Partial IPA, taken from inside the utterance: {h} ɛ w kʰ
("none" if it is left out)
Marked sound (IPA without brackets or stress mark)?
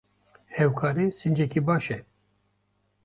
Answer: h